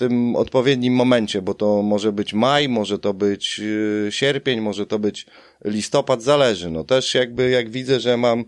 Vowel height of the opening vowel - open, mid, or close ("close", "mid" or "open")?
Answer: mid